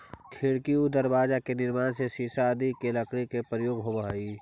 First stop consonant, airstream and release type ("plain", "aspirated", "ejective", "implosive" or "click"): aspirated